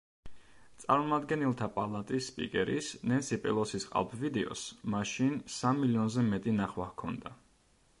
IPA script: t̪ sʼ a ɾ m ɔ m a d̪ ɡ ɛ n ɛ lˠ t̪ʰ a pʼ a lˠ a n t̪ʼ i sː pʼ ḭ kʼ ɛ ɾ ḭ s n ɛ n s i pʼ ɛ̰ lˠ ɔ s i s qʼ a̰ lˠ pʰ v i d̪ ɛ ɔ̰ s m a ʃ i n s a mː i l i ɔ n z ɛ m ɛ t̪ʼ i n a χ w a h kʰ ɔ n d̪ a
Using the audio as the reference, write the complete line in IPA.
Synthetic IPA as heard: t̪ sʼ a ɾ m ɔ m a d̪ ɡ ɛ n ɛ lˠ t̪ʰ a pʼ a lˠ a t̪ʼ i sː pʼ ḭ kʼ ɛ ɾ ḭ s n ɛ n s i pʼ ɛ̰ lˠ ɔ s i s qʼ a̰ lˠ pʰ v i d̪ ɛ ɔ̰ s m a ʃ i n s a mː i l i ɔ n z ɛ m ɛ t̪ʼ i n a χ w a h kʰ ɔ n d̪ a

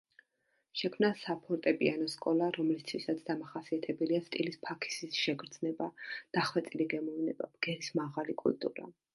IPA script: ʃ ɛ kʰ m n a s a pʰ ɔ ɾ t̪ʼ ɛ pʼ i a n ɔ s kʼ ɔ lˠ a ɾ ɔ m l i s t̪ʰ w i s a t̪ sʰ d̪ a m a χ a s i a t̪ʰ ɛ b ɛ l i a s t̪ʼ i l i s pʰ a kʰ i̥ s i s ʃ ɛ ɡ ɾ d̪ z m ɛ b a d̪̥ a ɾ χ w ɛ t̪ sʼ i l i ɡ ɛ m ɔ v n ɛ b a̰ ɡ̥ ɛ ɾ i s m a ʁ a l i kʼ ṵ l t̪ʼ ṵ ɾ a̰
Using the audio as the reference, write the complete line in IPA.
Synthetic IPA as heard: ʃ ɛ kʰ m n a s a pʰ ɔ ɾ t̪ʼ ɛ pʼ i a n ɔ s kʼ ɔ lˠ a ɾ ɔ m l i s t̪ʰ w i s a t̪ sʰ d̪ a m a χ a s i a t̪ʰ ɛ b ɛ l i a s t̪ʼ i l i s pʰ a kʰ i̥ s i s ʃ ɛ ɡ ɾ d̪ z n ɛ b a d̪̥ a χ w ɛ t̪ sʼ i l i ɡ ɛ m ɔ v n ɛ b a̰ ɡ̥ ɛ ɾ i s m a ʁ a l i kʼ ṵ l t̪ʼ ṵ ɾ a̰

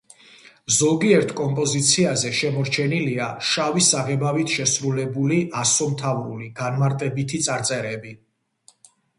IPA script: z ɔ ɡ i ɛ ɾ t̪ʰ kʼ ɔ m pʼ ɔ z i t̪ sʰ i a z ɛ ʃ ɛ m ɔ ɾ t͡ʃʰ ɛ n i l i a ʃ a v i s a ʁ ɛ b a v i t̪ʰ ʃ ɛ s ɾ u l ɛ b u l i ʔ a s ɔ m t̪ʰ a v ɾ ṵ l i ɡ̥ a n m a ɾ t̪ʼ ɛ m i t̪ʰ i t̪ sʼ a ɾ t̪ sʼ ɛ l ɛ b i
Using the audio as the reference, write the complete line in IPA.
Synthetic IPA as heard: z ɔ ɡ i ɛ ɾ t̪ʰ kʼ ɔ m pʼ ɔ z i t̪ sʰ i a z ɛ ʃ ɛ m ɔ ɾ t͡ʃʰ ɛ n i l i a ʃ a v i s a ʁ ɛ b a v i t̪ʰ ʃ ɛ s ɾ u l ɛ b u l i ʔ a s ɔ m t̪ʰ a v ɾ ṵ l i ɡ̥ a n m a ɾ t̪ʼ ɛ b i t̪ʰ i t̪ sʼ a ɾ t̪ sʼ ɛ ɾ ɛ b i

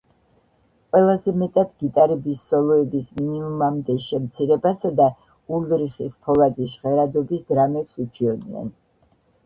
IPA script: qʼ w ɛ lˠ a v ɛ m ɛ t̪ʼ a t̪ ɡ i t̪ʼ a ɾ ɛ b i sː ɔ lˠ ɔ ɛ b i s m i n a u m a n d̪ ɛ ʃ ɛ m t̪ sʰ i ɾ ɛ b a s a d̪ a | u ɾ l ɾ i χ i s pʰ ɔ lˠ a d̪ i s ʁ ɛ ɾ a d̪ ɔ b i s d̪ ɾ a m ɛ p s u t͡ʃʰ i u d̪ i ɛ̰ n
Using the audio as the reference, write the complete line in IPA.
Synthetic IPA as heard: qʼ w ɛ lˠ a z ɛ m ɛ t̪ʼ a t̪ ɡ i t̪ʼ a ɾ ɛ b i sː ɔ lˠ ɔ ɛ b i s m i n i u m a m d̪ ɛ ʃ ɛ m t̪ sʰ i ɾ ɛ b a s a d̪ a | u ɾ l ɾ i χ i s pʰ ɔ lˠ a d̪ i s ʁ ɛ ɾ a d̪ ɔ b i s d̪ ɾ a m ɛ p s u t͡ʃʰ i ɔ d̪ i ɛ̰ n

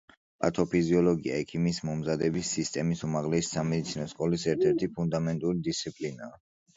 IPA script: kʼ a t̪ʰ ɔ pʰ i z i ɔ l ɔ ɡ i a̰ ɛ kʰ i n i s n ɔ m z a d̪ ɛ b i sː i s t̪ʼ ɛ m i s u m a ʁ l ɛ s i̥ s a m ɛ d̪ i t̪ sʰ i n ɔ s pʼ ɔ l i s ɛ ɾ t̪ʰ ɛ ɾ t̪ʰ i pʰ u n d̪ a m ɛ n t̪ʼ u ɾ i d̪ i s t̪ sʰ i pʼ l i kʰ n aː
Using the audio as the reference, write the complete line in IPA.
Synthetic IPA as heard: pʼ a t̪ʰ ɔ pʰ i z i ɔ l ɔ ɡ i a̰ ɛ kʰ i m i s m ɔ m z a d̪ ɛ b i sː i s t̪ʼ ɛ m i s u m a ʁ l ɛ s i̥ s a m ɛ d̪ i t̪ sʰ i n ɔ s kʼ ɔ l i s ɛ ɾ t̪ʰ ɛ ɾ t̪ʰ i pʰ u n d̪ a m ɛ n t̪ʼ u ɾ i d̪ i s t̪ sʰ i pʼ l i n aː

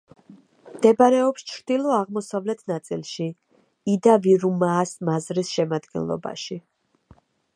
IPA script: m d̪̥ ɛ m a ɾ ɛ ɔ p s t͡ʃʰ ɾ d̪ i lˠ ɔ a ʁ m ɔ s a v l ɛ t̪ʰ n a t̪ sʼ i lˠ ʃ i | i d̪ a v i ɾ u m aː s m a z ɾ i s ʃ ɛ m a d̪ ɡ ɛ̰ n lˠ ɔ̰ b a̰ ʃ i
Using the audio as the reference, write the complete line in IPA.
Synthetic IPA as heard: m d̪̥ ɛ b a ɾ ɛ ɔ p s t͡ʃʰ ɾ d̪ i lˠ ɔ a ʁ m ɔ s a v l ɛ t̪ʰ n a t̪ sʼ i lˠ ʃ i | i d̪ a v i ɾ u m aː s m a z ɾ i s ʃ ɛ m a d̪ ɡ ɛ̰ n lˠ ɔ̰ b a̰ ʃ i

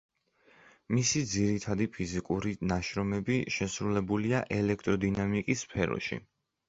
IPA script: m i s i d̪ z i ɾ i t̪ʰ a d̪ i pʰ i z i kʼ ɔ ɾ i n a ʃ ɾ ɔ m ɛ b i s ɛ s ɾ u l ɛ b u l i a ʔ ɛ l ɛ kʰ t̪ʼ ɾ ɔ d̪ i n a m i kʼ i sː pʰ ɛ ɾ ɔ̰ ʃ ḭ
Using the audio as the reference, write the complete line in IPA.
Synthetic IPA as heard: m i s i d̪ z i ɾ i t̪ʰ a d̪ i pʰ i z i kʼ u ɾ i n a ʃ ɾ ɔ m ɛ b i ʃ ɛ s ɾ u l ɛ b u l i a ʔ ɛ l ɛ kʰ t̪ʼ ɾ ɔ d̪ i n a m i kʼ i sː pʰ ɛ ɾ ɔ̰ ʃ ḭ

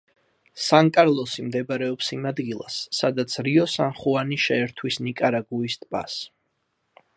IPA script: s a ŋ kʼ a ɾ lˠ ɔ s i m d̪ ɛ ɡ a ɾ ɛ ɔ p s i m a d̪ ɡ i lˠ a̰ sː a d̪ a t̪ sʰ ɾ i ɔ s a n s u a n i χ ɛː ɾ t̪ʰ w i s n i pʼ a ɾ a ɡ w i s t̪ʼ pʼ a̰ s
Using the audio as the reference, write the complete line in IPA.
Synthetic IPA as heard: s a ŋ kʼ a ɾ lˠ ɔ s i m d̪ ɛ b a ɾ ɛ ɔ p s i m a d̪ ɡ i lˠ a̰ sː a d̪ a t̪ sʰ ɾ i ɔ s a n χ u a n i ʃ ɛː ɾ t̪ʰ w i s n i kʼ a ɾ a ɡ u i s t̪ʼ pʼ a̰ s

